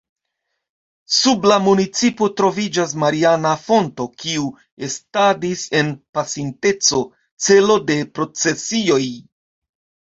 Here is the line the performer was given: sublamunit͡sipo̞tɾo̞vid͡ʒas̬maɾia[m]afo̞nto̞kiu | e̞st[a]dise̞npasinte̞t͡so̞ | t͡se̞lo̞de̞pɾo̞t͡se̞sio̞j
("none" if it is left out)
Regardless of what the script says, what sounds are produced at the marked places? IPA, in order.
n, a

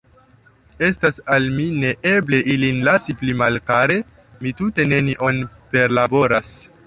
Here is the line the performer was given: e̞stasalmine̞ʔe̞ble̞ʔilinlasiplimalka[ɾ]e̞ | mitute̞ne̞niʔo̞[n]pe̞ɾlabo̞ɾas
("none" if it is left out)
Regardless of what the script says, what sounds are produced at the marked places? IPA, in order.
ɾ, n

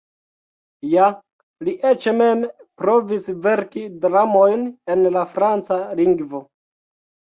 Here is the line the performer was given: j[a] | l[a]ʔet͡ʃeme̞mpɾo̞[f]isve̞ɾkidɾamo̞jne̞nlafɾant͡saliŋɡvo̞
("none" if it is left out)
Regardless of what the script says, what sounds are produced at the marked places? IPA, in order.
a, i, v

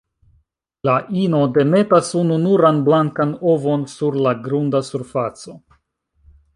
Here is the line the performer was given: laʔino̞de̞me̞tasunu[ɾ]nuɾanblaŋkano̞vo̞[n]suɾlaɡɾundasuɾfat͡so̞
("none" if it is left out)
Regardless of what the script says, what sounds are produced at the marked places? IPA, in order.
none, n

